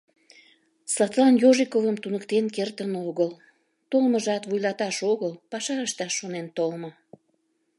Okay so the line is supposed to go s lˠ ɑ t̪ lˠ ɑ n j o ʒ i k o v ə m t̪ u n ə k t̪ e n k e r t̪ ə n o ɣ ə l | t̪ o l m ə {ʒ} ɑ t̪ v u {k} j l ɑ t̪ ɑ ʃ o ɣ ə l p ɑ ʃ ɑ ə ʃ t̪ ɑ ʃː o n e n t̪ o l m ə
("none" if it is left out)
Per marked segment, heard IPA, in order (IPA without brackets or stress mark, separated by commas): ʒ, none